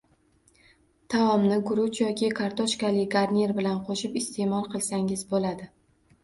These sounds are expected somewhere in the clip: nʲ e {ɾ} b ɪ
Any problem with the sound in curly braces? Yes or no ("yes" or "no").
no